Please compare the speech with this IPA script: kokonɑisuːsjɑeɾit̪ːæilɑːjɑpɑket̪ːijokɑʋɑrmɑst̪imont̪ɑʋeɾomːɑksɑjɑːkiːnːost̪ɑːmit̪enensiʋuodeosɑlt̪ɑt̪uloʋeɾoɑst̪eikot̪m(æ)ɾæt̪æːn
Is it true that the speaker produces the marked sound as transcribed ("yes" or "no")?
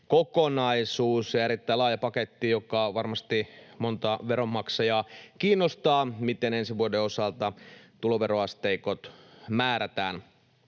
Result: no